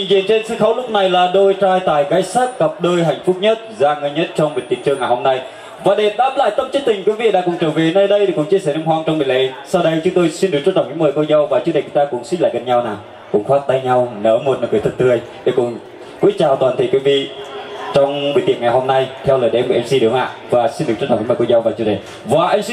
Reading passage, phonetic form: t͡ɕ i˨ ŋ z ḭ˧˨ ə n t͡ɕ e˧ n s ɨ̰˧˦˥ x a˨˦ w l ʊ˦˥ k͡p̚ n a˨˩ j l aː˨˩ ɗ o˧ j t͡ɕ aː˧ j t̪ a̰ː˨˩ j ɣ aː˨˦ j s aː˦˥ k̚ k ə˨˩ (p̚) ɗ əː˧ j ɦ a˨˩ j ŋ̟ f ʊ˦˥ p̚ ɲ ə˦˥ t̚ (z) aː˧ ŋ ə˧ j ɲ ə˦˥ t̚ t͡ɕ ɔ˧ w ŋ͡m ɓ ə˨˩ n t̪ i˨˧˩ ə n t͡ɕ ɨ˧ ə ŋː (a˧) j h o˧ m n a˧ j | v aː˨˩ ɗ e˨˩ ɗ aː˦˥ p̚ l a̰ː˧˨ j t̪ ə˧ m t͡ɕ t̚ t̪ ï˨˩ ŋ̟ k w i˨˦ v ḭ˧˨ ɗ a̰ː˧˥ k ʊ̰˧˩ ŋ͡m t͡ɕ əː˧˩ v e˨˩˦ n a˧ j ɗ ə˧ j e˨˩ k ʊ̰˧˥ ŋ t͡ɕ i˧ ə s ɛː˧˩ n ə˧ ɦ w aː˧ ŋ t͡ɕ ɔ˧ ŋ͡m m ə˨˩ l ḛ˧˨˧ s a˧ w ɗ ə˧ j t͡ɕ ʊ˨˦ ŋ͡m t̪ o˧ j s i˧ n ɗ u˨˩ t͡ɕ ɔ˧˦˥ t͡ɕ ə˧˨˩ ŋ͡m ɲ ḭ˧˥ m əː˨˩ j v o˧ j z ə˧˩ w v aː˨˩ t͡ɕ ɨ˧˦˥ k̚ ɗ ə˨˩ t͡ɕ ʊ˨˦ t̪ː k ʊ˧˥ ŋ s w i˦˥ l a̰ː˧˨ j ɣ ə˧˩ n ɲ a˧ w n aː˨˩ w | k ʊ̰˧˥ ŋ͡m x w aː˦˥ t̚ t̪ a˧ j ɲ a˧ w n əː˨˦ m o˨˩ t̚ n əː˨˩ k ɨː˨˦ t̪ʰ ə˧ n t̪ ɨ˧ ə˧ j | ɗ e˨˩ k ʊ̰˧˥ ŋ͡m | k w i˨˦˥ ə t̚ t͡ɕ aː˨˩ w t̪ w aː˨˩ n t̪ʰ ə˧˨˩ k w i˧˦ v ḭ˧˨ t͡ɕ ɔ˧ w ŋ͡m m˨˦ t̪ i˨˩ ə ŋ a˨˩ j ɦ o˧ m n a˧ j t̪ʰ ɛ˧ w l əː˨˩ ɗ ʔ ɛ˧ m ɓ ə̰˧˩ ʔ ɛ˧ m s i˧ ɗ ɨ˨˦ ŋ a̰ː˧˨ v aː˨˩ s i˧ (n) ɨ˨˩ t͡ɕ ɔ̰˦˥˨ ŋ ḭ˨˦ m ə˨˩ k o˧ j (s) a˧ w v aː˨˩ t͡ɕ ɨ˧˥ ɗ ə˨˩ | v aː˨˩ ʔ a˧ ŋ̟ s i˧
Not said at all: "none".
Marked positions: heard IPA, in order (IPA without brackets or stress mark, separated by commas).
p̚, z, a˨˩, n, z